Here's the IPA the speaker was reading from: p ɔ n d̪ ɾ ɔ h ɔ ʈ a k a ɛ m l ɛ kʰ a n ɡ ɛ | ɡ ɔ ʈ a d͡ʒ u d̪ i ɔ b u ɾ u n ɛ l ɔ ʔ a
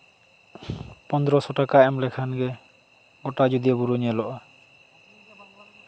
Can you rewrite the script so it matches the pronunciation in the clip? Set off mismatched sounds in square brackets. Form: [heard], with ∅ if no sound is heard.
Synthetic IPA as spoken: p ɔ n d̪ ɾ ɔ [s] ɔ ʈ a k a ɛ m l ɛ kʰ a n ɡ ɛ | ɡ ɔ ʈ a d͡ʒ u d̪ i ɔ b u ɾ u [ɲ] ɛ l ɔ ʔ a